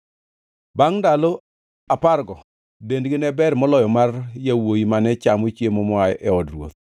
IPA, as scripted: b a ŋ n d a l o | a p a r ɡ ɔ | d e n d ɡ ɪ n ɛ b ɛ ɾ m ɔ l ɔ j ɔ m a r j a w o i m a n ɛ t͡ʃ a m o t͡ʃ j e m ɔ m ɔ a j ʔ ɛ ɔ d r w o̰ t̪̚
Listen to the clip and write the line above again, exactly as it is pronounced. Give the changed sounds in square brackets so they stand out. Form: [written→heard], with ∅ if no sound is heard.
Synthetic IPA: b a ŋ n d a l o | a p a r ɡ ɔ | d e n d ɡ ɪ n ɛ b ɛ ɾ m ɔ l ɔ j ɔ m a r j a w o i m a n ɛ t͡ʃ a m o t͡ʃ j e m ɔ m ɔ a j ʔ ɛ ɔ d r w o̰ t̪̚